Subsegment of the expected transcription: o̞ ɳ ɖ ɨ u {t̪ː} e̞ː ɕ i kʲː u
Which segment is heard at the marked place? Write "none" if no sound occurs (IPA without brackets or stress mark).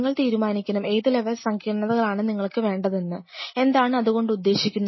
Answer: d̪ː